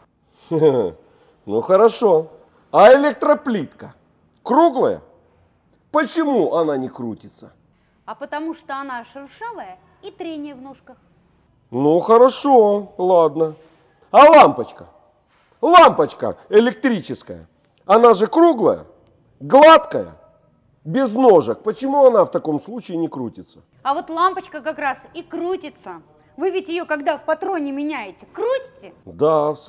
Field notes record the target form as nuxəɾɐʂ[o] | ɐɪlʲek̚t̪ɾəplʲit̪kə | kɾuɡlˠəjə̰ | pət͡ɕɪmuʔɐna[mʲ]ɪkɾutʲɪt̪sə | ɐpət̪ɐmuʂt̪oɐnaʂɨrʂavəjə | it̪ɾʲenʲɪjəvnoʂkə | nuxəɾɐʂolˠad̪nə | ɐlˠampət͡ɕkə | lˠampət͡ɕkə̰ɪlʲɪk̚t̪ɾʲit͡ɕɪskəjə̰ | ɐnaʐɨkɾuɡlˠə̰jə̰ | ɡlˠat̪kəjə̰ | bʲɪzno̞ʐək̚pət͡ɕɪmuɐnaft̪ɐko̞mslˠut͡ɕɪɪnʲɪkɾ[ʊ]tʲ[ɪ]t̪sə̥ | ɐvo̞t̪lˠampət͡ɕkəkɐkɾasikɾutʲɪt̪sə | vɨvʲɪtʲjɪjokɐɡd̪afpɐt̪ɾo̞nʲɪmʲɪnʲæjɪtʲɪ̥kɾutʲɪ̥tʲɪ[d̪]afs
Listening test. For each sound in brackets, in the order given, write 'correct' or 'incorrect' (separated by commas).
correct, incorrect, incorrect, correct, correct